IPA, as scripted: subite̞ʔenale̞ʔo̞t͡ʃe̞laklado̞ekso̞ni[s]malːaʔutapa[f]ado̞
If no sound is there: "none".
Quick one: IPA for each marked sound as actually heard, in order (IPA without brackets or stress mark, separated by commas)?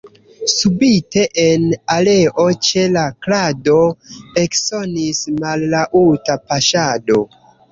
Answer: s, ʃ